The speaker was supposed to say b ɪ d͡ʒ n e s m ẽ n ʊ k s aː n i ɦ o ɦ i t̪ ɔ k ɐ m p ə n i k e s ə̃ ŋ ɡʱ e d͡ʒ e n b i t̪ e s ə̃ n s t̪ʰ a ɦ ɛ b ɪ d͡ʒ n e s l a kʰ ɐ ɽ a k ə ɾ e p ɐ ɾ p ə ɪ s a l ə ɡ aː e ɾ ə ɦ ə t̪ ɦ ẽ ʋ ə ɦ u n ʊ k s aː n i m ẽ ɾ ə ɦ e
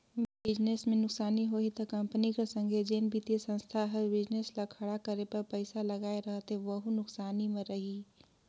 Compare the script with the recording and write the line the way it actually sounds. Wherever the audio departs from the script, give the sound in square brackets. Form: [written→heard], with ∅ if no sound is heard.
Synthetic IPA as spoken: b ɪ d͡ʒ n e s m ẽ n ʊ k s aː n i ɦ o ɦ i t̪ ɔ k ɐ m p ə n i k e s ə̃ ŋ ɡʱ e d͡ʒ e n b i t̪ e s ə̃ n s t̪ʰ a ɦ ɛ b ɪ d͡ʒ n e s l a kʰ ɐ ɽ a k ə ɾ e p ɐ ɾ p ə ɪ s a l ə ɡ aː e ɾ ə ɦ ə t̪ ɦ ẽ ʋ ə ɦ u n ʊ k s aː n i m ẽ ɾ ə ɦ [e→i]